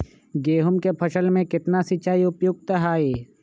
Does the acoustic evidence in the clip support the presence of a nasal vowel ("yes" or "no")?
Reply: yes